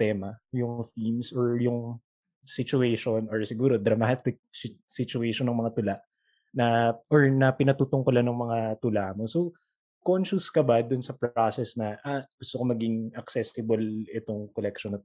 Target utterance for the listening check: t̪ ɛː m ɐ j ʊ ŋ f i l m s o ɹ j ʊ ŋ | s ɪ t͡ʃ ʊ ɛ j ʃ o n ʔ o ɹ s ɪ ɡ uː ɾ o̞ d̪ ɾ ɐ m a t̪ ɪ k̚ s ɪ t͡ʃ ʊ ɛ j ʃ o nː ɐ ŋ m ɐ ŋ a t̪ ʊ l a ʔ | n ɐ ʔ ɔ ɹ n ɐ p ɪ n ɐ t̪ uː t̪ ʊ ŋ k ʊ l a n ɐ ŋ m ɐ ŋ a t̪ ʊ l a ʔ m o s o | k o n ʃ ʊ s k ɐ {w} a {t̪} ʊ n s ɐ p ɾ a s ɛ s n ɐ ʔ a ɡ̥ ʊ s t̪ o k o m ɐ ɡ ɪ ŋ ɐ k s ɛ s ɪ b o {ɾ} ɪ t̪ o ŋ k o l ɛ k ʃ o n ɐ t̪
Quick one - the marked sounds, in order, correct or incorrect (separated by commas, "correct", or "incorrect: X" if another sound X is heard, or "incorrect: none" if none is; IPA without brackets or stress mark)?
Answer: incorrect: b, incorrect: d̪, incorrect: l